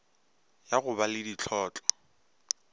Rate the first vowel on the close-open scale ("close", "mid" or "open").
open